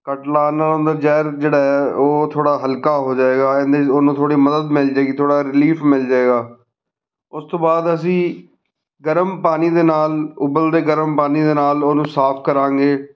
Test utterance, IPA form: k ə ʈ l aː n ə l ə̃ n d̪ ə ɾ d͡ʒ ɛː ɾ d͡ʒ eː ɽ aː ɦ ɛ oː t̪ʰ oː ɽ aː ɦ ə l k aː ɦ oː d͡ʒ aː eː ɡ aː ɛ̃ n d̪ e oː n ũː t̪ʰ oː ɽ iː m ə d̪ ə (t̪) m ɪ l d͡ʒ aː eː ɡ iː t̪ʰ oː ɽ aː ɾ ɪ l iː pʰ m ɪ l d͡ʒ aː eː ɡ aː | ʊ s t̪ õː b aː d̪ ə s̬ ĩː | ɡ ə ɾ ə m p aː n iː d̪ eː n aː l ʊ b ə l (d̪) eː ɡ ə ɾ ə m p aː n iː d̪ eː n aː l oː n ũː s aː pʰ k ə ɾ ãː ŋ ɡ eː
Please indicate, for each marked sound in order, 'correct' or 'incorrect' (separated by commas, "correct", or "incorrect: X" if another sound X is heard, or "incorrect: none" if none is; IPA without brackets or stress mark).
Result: incorrect: d̪, correct